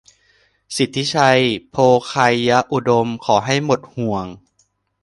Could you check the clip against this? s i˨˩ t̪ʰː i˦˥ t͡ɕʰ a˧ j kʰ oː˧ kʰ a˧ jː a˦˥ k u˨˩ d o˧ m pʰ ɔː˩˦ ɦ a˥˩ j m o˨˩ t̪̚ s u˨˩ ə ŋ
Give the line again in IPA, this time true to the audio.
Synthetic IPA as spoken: s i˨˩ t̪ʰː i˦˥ t͡ɕʰ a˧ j pʰ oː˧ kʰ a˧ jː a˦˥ ʔ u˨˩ d o˧ m kʰ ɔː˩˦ ɦ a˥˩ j m o˨˩ t̪̚ h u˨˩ ə ŋ